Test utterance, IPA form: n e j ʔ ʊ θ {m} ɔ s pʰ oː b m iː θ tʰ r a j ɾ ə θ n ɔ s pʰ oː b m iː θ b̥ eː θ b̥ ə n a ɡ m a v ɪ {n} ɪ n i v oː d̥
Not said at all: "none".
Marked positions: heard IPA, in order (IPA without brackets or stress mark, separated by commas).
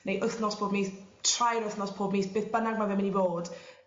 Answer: n, m